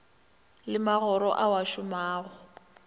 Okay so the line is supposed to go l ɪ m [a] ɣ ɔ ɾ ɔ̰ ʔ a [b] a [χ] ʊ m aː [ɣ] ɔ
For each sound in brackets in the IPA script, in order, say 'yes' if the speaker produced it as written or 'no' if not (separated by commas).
yes, no, no, yes